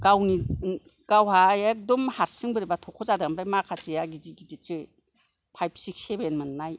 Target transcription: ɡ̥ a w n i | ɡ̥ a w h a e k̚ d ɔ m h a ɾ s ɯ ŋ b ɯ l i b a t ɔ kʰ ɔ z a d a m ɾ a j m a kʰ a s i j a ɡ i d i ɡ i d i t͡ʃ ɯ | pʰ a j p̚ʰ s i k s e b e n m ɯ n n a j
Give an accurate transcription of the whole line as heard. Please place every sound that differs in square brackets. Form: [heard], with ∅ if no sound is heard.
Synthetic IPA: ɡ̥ a w n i | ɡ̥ a w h a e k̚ d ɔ m h a ɾ s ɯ ŋ b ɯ [ɾ] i b a [tʰ] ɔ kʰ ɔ z a d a m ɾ a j m a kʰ a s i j a ɡ i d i ɡ i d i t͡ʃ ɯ | pʰ a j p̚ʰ s i k s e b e n m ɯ n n a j